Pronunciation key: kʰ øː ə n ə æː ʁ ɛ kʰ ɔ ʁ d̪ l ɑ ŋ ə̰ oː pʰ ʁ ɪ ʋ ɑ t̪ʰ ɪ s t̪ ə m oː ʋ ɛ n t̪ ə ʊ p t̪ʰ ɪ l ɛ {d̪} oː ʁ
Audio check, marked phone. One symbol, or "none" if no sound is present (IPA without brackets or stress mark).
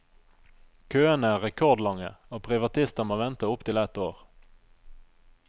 t̪